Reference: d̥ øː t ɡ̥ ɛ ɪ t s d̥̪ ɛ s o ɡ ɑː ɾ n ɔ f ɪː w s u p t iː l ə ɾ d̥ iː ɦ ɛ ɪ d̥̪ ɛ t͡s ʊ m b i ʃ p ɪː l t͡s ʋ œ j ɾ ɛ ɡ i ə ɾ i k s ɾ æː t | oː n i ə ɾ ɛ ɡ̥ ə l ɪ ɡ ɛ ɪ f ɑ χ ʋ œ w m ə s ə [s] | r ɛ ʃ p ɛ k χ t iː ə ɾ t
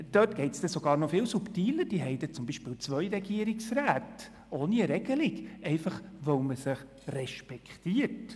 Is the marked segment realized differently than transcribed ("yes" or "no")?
yes